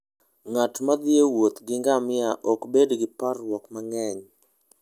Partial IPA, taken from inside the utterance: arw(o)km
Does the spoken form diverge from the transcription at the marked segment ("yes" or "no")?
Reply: yes